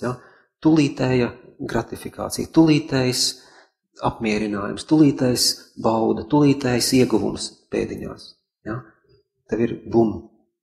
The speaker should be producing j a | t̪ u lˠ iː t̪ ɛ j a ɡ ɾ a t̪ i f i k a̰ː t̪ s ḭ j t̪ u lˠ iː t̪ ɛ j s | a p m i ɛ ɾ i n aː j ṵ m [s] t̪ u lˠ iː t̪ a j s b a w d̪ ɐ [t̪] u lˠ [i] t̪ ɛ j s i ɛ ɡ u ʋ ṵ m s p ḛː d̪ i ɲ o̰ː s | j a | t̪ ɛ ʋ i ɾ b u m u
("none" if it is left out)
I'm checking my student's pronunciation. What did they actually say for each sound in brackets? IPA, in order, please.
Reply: s, t̪, iː

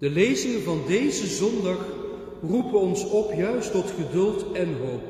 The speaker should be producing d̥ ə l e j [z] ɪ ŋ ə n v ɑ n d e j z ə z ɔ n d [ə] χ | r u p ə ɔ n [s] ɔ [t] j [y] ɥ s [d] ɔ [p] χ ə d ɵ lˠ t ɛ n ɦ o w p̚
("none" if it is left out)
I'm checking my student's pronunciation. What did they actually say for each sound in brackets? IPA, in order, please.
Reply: z, ɑ, s, p, œ, t, t

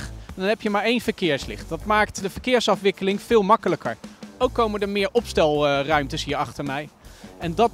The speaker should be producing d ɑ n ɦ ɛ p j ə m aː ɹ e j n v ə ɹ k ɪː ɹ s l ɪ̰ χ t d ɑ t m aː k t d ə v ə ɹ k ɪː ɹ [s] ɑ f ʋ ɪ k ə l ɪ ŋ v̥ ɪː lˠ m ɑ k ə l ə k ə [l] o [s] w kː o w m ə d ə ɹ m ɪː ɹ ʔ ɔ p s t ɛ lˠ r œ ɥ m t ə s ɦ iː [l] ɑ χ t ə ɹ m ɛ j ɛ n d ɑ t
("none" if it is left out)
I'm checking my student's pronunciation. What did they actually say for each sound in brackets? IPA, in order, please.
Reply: s, ɹ, none, ɹ

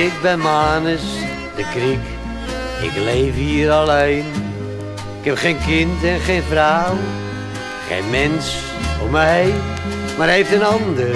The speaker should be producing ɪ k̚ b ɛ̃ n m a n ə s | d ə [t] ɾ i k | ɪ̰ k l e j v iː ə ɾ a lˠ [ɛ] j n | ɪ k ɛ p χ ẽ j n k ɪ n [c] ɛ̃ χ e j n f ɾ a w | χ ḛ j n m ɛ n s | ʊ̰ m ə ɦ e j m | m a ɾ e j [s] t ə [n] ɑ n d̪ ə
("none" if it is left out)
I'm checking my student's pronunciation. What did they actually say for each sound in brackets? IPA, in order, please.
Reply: k, e, t, f, n

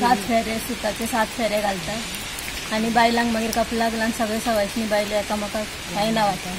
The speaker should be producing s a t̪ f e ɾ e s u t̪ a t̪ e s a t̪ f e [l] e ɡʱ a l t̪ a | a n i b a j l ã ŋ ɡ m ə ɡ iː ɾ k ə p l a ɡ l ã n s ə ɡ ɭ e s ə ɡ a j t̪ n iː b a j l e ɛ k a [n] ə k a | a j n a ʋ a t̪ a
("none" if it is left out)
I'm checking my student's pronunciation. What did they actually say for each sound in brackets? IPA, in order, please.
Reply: ɾ, m

